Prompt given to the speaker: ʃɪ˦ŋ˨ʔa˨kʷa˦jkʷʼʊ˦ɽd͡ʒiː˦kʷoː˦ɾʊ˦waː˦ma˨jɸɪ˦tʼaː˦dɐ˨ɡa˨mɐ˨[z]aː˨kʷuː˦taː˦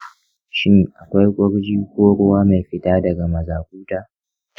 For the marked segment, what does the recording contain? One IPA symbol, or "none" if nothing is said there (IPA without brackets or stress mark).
z